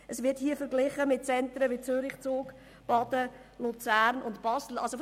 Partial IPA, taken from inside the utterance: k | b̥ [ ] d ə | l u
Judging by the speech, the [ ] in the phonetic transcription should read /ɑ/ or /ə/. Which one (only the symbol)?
ɑ